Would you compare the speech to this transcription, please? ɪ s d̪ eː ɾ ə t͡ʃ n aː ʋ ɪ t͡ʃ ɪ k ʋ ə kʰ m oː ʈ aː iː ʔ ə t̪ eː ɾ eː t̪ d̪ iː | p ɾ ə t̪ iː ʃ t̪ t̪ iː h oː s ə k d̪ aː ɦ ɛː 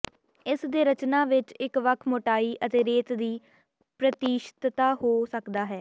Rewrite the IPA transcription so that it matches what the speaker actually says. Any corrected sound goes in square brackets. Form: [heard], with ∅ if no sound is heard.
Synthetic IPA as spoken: ɪ s d̪ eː ɾ ə t͡ʃ n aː ʋ ɪ t͡ʃ ɪ k ʋ ə kʰ m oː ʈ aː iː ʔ ə t̪ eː ɾ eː t̪ d̪ iː | p ɾ ə t̪ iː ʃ t̪ t̪ [aː] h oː s ə k d̪ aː ɦ ɛː